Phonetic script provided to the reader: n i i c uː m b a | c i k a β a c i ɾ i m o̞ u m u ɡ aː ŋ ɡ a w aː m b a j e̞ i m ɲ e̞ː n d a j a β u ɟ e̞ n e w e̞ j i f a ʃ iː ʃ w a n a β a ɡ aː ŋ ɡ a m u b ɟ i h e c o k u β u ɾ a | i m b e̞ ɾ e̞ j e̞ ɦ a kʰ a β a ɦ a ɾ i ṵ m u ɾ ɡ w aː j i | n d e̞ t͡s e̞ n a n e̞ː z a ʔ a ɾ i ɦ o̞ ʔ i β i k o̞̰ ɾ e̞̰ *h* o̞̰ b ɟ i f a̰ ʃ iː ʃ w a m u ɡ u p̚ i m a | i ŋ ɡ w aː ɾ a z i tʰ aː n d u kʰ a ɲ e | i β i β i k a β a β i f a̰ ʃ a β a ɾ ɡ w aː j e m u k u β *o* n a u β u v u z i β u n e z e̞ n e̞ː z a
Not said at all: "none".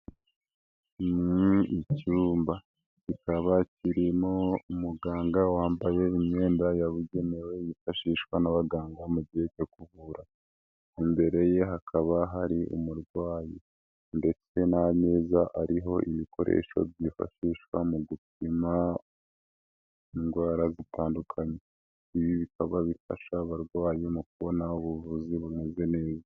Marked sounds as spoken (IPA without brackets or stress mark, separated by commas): ʃ, o